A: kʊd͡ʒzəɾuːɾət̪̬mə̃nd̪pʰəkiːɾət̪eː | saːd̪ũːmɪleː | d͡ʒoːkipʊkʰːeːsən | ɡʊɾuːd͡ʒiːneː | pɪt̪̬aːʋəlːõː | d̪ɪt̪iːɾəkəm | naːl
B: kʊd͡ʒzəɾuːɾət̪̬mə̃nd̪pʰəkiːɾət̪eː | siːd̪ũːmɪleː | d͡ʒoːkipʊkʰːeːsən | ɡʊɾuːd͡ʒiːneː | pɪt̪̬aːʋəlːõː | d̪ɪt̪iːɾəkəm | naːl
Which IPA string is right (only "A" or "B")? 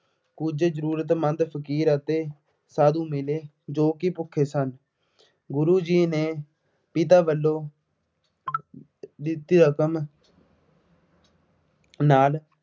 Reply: A